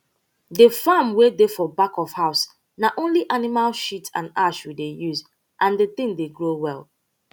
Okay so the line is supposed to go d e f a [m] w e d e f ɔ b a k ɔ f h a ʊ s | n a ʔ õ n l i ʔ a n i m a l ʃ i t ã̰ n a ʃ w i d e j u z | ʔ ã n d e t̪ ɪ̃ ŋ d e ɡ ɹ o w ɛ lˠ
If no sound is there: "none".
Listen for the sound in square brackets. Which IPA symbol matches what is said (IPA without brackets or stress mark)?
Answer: m